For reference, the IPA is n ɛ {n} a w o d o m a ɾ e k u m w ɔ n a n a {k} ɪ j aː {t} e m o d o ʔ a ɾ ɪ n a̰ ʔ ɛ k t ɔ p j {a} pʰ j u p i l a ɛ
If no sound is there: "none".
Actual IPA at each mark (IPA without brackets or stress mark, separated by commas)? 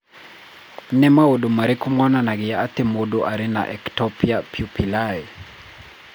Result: m, ɡ, t, a